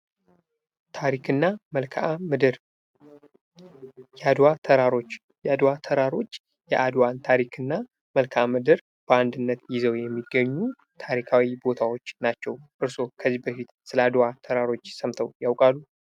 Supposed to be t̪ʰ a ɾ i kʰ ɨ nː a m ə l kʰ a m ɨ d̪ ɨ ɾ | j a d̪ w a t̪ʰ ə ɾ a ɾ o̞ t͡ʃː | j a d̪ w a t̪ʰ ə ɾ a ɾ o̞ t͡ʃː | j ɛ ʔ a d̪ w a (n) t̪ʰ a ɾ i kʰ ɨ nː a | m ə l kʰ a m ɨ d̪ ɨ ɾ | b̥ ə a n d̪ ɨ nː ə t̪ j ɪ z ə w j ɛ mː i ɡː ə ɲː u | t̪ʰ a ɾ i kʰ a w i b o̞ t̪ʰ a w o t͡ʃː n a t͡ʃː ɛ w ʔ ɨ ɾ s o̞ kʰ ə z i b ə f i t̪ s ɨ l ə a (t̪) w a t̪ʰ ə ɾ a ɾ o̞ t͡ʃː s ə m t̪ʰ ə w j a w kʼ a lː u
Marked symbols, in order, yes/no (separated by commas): yes, no